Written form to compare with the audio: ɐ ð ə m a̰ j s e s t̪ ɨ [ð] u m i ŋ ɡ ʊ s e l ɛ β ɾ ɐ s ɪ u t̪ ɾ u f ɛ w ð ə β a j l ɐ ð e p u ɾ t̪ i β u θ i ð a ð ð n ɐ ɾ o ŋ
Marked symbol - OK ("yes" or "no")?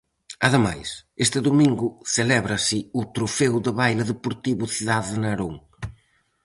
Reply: yes